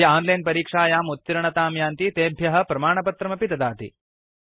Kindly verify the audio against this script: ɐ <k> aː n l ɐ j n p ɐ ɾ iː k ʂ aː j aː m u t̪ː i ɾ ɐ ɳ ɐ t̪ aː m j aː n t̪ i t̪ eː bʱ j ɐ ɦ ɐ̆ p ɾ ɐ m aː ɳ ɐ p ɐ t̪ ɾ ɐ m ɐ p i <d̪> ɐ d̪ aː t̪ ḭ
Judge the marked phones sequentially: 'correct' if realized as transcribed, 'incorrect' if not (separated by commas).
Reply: incorrect, incorrect